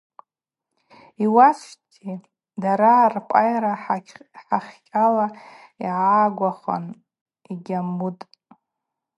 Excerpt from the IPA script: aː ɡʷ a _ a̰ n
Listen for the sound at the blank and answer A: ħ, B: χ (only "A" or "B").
B